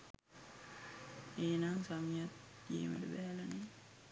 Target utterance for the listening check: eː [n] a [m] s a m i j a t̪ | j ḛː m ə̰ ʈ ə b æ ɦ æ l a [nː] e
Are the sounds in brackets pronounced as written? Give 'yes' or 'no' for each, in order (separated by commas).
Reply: yes, no, no